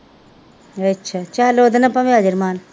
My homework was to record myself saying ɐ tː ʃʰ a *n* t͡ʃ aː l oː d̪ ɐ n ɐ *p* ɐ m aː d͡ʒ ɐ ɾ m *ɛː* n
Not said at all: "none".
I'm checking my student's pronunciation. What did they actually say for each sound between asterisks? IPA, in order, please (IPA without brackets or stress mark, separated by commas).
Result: none, p, aː